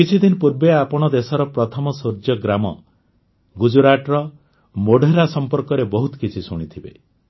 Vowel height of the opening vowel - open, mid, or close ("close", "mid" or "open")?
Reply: close